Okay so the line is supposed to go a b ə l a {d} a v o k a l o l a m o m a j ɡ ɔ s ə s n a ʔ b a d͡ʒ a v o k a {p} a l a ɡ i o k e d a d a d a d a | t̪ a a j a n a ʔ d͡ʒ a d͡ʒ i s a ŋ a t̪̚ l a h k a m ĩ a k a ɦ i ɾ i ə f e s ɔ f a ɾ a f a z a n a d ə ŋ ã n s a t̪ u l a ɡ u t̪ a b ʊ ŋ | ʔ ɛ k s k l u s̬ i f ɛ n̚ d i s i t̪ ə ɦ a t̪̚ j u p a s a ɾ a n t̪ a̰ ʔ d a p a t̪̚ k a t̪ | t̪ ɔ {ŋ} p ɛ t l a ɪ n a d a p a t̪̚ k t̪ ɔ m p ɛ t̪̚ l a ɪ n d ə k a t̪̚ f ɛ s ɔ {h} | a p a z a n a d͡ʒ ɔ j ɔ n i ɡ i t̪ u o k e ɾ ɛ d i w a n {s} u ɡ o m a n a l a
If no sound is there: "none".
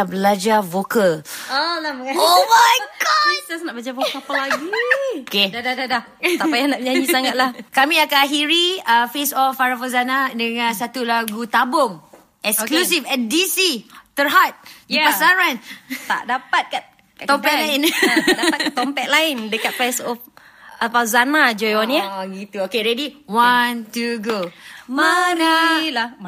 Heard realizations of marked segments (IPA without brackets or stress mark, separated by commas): d͡ʒ, p, m, f, t